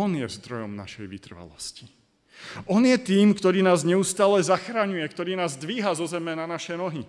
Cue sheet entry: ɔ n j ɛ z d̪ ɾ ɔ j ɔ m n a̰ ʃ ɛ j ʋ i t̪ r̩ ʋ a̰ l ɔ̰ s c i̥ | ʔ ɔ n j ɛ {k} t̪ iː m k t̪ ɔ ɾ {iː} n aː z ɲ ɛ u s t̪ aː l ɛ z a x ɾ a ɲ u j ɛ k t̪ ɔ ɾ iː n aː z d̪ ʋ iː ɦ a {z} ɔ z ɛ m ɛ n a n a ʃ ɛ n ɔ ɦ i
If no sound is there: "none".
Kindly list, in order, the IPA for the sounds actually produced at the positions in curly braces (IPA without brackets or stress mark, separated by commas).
none, iː, z